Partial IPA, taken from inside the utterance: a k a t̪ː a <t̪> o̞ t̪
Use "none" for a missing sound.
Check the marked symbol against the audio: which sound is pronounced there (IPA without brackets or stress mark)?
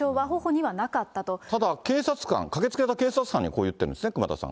t̪